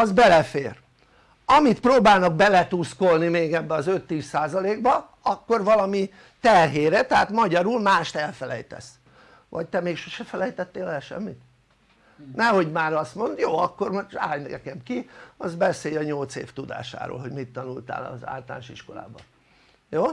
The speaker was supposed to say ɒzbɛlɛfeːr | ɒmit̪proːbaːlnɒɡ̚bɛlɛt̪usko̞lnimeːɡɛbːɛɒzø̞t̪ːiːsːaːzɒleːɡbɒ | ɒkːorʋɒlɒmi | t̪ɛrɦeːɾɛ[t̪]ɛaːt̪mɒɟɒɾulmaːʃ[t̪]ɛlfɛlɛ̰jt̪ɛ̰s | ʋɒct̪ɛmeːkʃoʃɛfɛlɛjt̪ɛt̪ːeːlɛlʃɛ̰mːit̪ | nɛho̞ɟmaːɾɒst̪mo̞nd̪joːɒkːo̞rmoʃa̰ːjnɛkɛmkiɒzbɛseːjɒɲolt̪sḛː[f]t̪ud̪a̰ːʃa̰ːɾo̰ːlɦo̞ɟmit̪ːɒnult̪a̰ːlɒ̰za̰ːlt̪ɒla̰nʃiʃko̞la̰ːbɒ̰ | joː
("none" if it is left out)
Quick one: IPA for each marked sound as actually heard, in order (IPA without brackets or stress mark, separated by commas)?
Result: t̪, t̪, f